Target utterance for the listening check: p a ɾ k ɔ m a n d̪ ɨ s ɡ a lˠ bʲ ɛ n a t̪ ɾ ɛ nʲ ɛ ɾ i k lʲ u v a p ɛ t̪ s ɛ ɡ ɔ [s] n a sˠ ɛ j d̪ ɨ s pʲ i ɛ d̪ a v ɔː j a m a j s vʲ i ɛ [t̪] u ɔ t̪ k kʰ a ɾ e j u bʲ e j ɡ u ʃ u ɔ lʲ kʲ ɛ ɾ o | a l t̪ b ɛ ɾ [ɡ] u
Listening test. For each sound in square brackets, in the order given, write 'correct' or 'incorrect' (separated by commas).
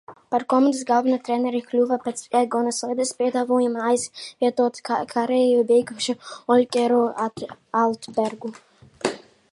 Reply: incorrect, correct, correct